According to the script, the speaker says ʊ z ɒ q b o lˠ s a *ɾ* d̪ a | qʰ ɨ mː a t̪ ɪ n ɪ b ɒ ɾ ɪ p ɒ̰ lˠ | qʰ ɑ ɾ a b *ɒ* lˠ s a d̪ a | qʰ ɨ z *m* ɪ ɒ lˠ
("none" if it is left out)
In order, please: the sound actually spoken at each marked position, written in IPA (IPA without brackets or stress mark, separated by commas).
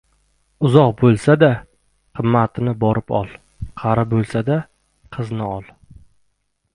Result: none, o, n